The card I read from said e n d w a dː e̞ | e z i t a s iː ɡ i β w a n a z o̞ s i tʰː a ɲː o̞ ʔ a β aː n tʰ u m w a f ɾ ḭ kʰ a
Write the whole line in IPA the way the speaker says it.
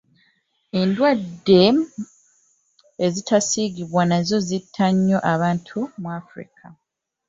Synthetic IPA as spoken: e n d w a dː e̞ | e z i t a s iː ɡ i β w a n a z o̞ z i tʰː a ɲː o̞ ʔ a β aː n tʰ u m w a f ɾ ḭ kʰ a